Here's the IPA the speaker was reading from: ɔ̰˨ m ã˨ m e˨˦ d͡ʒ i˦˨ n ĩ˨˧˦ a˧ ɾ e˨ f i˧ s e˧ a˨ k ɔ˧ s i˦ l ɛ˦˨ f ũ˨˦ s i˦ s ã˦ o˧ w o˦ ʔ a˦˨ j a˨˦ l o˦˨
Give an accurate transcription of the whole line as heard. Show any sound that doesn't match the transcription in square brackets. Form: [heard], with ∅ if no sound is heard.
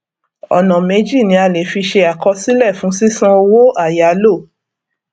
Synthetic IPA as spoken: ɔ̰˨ [n] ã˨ m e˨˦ d͡ʒ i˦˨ n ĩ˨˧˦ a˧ [l] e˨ f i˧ [ʃ] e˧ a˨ k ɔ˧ s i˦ l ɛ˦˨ f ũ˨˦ s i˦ s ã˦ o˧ w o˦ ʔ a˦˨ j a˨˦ l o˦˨